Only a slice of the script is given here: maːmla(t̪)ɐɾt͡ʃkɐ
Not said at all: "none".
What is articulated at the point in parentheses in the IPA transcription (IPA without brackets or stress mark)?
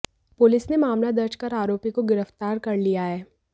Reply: d̪